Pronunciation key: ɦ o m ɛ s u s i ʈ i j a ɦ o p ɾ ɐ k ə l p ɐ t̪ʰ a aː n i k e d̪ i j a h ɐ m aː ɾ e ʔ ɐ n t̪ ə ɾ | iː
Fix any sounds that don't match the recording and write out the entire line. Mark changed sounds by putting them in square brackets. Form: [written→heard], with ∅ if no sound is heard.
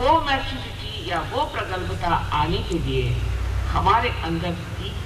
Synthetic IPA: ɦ o m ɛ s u s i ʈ i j a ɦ o p ɾ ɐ k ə l p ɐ [t̪ʰ→t̪] a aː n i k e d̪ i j [a→e] h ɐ m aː ɾ e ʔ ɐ n [t̪→d̪] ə ɾ | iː

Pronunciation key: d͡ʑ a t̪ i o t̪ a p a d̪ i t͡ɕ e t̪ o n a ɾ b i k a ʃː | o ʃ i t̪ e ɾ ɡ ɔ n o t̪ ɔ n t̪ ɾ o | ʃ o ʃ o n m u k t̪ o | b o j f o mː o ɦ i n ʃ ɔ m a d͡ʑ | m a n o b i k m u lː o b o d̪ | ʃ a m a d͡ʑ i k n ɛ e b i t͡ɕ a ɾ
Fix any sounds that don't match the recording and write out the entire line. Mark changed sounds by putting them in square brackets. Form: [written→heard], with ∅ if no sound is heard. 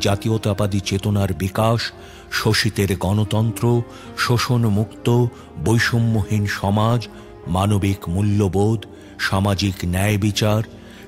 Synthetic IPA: d͡ʑ a t̪ i o t̪ a p a d̪ i t͡ɕ e t̪ o n a ɾ b i k a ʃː | o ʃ i t̪ e ɾ ɡ ɔ n o t̪ ɔ n t̪ ɾ o | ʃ o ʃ o n m u k t̪ o | b o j [f→ʃ] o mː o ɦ i n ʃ ɔ m a d͡ʑ | m a n o b i k m u lː o b o d̪ | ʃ a m a d͡ʑ i k n ɛ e b i t͡ɕ a ɾ

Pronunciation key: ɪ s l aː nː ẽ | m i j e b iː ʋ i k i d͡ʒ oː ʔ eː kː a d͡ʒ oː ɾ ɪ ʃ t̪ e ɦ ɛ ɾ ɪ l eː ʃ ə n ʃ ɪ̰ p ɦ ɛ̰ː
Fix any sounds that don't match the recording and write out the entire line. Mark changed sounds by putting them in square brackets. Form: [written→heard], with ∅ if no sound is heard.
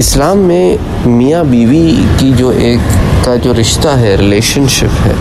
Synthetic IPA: ɪ s l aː [nː→mː] ẽ | m i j [e→a] b iː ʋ i k i d͡ʒ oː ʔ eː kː a d͡ʒ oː ɾ ɪ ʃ t̪ [e→a] ɦ ɛ ɾ ɪ l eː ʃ ə n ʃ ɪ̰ p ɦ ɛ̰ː

